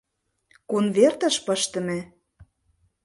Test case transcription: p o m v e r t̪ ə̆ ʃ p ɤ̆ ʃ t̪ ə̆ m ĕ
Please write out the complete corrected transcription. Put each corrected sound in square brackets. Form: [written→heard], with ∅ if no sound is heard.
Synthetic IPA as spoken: [p→k] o [m→n] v e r t̪ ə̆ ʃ p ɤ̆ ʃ t̪ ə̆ m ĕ